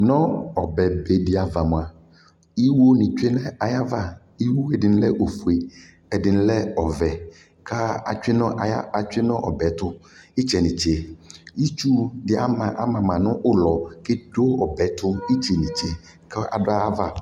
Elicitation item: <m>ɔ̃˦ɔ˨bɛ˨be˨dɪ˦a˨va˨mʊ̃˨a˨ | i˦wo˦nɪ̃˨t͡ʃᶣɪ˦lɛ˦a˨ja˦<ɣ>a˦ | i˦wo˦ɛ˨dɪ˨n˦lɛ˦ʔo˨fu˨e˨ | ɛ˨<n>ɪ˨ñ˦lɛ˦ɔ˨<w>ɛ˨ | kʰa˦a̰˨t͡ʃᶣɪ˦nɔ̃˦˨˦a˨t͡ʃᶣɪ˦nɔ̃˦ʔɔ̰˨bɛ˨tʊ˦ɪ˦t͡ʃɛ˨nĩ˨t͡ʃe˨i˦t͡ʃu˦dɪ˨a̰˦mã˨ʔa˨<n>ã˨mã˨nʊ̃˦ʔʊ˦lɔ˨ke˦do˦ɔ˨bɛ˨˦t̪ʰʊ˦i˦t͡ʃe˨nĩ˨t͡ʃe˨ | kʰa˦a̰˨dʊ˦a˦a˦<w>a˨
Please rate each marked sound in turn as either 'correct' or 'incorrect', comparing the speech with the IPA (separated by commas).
incorrect, incorrect, incorrect, incorrect, incorrect, incorrect